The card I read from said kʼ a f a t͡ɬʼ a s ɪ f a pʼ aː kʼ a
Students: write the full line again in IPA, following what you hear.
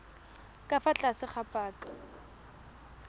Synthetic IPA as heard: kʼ a f a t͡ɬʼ a s ɪ χ a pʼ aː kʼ a

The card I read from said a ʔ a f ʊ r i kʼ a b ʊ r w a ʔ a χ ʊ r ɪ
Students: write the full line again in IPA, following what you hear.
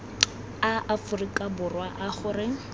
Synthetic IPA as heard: a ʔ a f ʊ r i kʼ a b ʊ r w a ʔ a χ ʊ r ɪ

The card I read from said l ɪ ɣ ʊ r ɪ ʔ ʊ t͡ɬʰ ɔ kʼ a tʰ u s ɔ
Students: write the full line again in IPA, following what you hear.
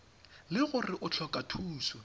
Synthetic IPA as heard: l ɪ ɣ ʊ r ɪ ʔ ʊ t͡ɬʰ ɔ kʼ a tʰ uː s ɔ

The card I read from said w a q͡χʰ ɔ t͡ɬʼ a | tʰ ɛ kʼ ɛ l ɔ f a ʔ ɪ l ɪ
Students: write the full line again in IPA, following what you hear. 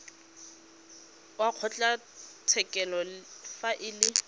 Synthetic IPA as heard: w a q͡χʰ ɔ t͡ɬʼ a | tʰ ɛ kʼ ɛ l ɔ f a ʔ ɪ l ɪ

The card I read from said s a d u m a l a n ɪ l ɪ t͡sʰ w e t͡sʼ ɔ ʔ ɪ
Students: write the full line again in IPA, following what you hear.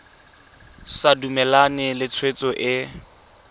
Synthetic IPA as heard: s a d u m ɛ l a n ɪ l ɪ t͡sʰ w e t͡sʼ ɔ ʔ ɪ

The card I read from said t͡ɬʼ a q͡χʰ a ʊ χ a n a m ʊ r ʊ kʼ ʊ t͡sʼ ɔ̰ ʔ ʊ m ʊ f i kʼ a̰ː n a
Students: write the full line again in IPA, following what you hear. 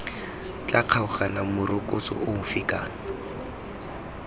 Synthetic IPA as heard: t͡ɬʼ a q͡χʰ a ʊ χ a n a m ʊ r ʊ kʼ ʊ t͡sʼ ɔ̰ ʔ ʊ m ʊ f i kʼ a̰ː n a

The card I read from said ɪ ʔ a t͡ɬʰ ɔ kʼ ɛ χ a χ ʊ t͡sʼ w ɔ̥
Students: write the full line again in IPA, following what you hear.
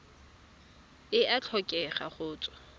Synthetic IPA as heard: ɪ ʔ a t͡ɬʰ ɔ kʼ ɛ χ a χ ʊː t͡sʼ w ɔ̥

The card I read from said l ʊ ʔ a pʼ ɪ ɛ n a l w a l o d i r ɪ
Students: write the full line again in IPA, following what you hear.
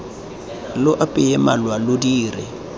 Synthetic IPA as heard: l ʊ ʔ a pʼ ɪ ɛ m a l w a l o d iː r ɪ

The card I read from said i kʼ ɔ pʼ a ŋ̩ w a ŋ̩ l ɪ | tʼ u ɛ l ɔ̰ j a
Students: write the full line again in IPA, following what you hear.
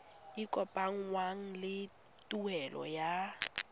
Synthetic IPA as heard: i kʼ ɔ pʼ a ŋ̩ w a ŋ̩ l ɪ | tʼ u ɛ l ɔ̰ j a

